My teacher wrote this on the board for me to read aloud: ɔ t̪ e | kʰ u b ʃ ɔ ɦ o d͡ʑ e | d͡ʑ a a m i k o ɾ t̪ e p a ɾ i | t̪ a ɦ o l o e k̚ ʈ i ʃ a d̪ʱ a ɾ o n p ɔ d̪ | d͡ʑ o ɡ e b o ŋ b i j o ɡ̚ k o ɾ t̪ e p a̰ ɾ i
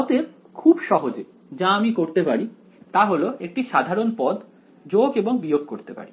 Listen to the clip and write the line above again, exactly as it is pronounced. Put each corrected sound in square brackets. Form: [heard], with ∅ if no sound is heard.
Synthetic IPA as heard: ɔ t̪ e | kʰ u b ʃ ɔ ɦ o d͡ʑ e | d͡ʑ a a m i k o ɾ t̪ e p a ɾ i | t̪ a ɦ o l o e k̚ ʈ i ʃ a d̪ʱ a ɾ o n p ɔ d̪ | d͡ʑ o ɡ e b o ŋ b i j o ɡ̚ k o ɾ t̪ e p a̰ ɾ i